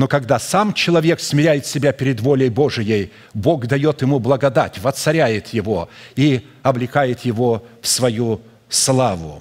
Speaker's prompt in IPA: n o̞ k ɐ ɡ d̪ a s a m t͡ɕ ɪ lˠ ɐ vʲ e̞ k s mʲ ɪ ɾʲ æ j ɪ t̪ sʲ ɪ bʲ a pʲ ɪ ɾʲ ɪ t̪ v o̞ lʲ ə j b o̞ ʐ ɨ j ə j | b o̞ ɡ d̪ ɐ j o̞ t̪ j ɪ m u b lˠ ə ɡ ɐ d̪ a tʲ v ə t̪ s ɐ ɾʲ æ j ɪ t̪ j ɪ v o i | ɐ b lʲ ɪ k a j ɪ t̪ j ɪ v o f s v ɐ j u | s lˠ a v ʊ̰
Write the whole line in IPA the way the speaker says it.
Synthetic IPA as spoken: n o̞ k ɐ ɡ d̪ a s a m t͡ɕ ɪ lˠ ɐ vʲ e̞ k s mʲ ɪ ɾʲ æ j ɪ t̪ sʲ ɪ bʲ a pʲ ɪ ɾʲ ɪ d̪ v o̞ lʲ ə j b o̞ ʐ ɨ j ə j | b o̞ ɡ d̪ ɐ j o̞ t̪ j ɪ m u b lˠ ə ɡ ɐ d̪ a tʲ v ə t̪ s ɐ ɾʲ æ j ɪ t̪ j ɪ v o i | ɐ b lʲ ɪ k a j ɪ t̪ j ɪ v o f s v ɐ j u | s lˠ a v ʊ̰